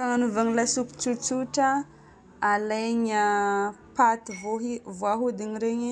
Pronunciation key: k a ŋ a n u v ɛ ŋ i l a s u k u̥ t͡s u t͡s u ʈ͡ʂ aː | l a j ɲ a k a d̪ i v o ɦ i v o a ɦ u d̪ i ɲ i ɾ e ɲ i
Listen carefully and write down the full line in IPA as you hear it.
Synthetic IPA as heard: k a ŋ a n u v a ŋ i l a s u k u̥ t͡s u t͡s u ʈ͡ʂ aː | l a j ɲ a p a t̪ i v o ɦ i v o a ɦ u d̪ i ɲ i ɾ e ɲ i